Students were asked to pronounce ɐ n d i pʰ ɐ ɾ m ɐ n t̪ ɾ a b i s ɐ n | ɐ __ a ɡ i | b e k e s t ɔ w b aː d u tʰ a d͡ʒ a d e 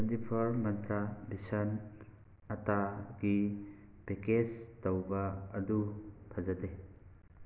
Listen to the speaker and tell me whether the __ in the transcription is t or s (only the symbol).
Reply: t